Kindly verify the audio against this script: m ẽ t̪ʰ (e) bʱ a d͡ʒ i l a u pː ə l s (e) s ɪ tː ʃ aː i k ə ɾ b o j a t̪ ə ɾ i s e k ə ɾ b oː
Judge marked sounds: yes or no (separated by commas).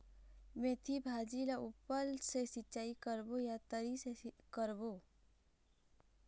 no, yes